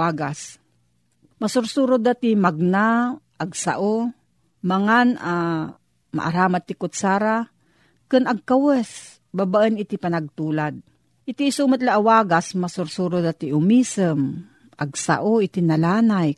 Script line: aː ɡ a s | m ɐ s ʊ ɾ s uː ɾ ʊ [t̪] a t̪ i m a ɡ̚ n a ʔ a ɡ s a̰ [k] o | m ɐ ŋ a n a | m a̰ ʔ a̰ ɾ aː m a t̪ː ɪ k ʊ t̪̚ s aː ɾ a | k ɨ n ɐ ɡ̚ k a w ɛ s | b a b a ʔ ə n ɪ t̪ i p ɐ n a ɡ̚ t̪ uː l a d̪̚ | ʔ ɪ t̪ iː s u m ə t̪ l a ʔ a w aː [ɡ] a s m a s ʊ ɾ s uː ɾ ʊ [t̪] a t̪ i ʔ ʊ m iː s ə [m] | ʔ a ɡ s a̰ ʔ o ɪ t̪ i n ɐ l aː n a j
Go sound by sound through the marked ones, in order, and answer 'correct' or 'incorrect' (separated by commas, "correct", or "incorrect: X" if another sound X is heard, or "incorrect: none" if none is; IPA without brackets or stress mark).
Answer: incorrect: d̪, incorrect: ʔ, correct, incorrect: d̪, correct